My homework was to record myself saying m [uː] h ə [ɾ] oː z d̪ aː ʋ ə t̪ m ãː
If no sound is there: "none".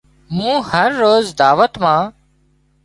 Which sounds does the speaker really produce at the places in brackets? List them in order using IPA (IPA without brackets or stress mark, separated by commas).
ũː, ɾː